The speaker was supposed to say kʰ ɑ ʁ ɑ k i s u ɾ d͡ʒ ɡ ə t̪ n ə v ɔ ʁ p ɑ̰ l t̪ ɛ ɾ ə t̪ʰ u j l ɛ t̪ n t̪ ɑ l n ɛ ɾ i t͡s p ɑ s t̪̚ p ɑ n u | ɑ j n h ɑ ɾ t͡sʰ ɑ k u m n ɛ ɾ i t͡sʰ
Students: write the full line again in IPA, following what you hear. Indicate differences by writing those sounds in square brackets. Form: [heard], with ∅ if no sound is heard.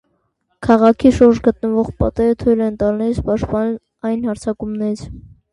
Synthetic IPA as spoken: kʰ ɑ ʁ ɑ [kʰ] i [ʃ] u ɾ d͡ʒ ɡ ə t̪ n ə v ɔ ʁ p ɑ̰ [∅] t̪ ɛ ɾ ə t̪ʰ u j l ɛ [∅] n t̪ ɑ l n ɛ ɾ i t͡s p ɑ [ʃ] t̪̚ p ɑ n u | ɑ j n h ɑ ɾ t͡sʰ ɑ k u m n ɛ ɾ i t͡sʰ